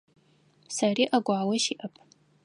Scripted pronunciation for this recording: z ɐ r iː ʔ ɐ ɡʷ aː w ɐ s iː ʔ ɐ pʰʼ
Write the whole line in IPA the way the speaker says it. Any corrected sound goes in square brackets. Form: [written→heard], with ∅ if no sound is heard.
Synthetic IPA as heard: [z→s] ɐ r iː ʔ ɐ ɡʷ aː w ɐ [s→ʃ] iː ʔ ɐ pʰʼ